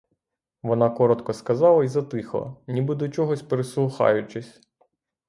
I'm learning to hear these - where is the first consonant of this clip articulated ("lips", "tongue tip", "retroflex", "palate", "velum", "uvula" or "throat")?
lips